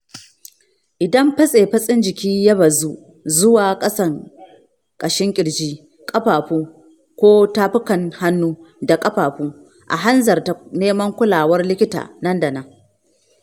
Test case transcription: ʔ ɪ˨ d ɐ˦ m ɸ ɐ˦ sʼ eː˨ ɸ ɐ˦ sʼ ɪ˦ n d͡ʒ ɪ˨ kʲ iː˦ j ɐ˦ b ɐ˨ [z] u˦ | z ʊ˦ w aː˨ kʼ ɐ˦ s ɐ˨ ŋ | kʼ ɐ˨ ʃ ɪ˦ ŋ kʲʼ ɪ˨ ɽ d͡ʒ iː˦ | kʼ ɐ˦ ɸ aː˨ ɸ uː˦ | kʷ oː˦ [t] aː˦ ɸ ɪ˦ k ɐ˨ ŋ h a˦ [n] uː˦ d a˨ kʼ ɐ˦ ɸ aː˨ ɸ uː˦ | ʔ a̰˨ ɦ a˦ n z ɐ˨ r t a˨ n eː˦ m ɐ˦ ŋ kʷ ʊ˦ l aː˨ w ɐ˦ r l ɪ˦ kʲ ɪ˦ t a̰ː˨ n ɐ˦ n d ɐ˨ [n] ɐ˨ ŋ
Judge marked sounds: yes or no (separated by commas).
yes, yes, no, yes